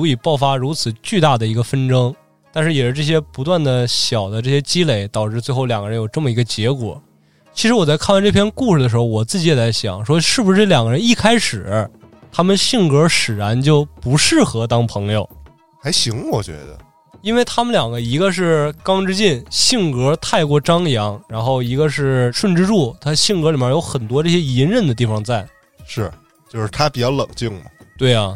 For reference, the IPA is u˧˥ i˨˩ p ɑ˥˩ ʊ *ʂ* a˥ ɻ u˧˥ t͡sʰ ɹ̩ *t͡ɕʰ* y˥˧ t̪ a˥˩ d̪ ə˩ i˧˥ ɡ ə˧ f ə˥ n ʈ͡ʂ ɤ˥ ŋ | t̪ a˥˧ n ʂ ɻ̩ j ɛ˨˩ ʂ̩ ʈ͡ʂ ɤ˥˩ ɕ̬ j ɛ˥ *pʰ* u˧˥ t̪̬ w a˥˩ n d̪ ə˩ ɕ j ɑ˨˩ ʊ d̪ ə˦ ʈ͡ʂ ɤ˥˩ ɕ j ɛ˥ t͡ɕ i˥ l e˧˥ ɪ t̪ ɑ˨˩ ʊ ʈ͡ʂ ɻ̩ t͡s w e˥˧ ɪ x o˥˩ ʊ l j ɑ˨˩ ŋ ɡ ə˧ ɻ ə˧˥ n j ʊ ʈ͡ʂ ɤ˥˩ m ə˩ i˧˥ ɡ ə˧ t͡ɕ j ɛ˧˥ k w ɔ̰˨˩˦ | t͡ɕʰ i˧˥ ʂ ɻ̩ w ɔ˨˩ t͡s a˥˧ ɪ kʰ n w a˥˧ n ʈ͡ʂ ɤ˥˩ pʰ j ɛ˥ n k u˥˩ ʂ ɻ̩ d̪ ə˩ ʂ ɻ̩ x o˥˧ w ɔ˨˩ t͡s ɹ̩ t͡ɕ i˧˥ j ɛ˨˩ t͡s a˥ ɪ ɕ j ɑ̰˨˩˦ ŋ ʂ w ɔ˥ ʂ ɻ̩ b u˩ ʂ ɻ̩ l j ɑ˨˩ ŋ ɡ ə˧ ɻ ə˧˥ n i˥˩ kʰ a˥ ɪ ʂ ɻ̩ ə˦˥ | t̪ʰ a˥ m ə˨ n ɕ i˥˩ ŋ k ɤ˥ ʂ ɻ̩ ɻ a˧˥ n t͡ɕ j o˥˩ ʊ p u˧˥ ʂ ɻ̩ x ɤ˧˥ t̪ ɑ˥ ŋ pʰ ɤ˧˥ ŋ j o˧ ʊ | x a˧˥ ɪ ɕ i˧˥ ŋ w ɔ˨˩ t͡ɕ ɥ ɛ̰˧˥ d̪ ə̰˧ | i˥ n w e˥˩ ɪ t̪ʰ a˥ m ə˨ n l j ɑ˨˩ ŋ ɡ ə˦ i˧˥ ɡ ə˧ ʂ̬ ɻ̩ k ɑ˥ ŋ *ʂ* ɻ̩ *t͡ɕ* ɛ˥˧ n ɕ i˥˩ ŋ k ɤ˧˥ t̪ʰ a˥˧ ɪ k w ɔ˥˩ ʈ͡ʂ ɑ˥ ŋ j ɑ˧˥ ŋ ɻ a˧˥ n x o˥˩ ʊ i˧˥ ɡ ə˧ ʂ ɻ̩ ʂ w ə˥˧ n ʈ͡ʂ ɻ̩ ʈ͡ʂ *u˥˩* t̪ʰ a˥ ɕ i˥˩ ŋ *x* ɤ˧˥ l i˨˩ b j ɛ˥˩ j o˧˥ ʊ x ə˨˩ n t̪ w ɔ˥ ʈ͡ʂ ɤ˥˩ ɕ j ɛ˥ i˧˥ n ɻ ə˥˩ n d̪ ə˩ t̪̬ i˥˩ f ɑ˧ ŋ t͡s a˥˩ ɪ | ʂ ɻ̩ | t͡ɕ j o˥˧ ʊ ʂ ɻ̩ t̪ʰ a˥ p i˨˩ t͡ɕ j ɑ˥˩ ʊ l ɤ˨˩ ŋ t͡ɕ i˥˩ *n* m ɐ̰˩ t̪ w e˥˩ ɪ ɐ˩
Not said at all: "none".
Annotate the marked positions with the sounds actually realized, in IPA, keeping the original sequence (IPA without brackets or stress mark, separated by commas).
f, t͡ɕ, p, ʈ͡ʂ, t͡ɕ, u˥˩, k, ŋ